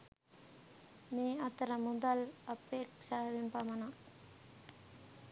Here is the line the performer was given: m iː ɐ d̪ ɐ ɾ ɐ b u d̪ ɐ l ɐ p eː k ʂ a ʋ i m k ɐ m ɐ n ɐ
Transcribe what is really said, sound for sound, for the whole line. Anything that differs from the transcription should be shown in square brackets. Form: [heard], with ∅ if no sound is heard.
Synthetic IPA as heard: m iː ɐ [t̪] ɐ ɾ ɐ [m] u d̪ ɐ l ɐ p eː k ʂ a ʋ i m [p] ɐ m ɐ n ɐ